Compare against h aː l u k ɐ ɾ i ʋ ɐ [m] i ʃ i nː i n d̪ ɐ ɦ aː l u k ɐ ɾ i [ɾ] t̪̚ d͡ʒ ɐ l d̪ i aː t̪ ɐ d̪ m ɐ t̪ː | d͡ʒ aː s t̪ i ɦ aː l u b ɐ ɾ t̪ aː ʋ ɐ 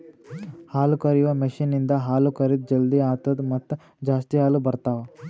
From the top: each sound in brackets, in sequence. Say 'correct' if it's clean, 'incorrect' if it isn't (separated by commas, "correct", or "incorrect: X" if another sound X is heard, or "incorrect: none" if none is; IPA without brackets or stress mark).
correct, incorrect: none